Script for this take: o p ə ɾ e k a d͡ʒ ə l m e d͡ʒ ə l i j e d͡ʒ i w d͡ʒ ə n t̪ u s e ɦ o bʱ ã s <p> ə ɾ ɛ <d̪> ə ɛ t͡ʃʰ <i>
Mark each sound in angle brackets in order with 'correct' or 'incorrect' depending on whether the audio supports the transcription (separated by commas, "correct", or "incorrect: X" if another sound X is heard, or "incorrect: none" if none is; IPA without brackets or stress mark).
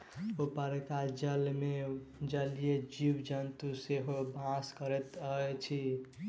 incorrect: k, incorrect: t̪, correct